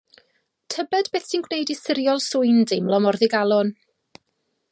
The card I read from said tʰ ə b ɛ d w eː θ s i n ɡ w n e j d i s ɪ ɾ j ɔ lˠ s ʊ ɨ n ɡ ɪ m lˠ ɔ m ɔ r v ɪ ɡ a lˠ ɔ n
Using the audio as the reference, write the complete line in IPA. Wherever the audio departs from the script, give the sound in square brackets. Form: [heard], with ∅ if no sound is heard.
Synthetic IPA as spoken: tʰ ə b ɛ d [b] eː θ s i n ɡ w n e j d i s ɪ ɾ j ɔ lˠ s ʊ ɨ n [d] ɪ m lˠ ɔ m ɔ r [ð] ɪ ɡ a lˠ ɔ n